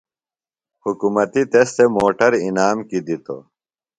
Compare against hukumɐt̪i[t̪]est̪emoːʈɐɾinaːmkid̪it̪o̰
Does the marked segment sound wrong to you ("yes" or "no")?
no